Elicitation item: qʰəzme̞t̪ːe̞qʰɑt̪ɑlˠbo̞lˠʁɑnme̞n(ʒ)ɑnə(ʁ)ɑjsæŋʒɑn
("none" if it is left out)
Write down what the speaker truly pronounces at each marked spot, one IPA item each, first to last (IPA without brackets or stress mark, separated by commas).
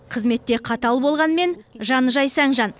ʒ, ʒ